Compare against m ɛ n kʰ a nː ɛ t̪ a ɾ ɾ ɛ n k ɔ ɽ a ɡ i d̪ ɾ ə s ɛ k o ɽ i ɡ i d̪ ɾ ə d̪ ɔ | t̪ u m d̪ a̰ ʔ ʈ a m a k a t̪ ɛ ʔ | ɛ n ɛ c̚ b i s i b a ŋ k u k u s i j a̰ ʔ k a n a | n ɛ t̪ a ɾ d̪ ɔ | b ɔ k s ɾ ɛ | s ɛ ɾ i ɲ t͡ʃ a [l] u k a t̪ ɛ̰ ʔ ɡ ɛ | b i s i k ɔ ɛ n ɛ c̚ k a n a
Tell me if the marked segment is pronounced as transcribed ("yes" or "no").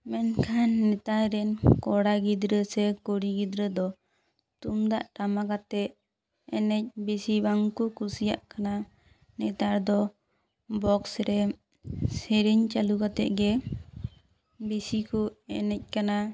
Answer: yes